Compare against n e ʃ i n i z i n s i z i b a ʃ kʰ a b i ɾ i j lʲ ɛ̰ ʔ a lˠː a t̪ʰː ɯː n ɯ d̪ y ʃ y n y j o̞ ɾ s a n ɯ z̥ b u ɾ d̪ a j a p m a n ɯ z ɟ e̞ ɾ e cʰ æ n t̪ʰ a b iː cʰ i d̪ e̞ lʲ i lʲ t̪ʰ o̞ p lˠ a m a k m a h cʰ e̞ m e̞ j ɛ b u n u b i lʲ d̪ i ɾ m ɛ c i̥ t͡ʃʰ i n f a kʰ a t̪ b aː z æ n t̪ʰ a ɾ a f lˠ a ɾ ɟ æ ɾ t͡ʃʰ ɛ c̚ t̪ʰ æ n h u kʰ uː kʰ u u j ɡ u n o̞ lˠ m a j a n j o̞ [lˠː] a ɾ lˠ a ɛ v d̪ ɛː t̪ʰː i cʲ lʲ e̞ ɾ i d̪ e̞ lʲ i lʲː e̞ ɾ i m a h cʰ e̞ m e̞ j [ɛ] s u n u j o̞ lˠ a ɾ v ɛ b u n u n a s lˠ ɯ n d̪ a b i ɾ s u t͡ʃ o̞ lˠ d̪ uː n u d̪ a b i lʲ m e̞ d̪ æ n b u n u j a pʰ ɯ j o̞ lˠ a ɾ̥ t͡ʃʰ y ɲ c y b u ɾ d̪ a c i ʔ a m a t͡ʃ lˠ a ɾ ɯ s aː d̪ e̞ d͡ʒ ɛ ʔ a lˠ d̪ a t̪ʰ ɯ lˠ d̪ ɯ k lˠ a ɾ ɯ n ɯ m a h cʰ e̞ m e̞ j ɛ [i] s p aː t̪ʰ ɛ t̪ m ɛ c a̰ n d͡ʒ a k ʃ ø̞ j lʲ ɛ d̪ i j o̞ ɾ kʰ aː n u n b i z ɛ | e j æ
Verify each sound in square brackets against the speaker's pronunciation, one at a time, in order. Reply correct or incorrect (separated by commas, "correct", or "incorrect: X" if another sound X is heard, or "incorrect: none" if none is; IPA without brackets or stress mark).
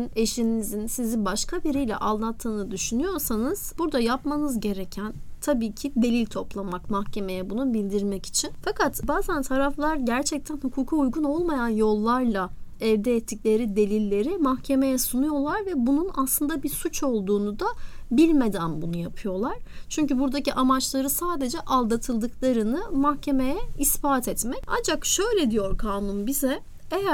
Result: correct, correct, correct